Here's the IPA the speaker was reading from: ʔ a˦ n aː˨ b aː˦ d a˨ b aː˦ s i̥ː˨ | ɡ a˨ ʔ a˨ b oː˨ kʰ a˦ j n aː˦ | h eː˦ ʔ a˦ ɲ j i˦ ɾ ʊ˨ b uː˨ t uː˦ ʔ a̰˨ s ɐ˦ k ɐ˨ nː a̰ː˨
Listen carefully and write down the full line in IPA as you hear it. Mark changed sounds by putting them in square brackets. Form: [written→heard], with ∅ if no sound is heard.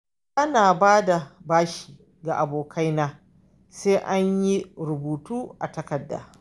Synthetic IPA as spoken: ʔ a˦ n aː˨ b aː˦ d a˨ b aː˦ [s→ʃ] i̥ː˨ | ɡ a˨ ʔ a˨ b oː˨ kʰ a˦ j n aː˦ | [h→s] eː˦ ʔ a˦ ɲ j i˦ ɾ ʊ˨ b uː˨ t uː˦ ʔ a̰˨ [s→t] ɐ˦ k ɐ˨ [nː→dː] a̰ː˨